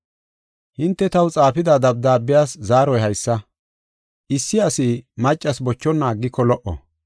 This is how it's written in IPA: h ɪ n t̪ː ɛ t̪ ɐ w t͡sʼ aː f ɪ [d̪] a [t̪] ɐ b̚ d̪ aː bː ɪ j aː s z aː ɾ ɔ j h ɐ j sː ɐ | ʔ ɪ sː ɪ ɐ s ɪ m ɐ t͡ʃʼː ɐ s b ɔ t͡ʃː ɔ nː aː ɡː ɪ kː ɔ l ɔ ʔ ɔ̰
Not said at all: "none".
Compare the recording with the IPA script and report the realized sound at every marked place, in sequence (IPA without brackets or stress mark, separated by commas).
d̪, d̪